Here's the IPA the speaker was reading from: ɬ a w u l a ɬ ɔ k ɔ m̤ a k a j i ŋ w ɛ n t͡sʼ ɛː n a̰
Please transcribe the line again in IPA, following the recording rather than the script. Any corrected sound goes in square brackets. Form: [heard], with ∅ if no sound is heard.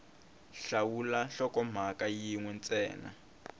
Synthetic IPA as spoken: ɬ a w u l a ɬ ɔ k ɔ m̤ a k a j i ŋ w ɛ n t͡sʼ ɛː n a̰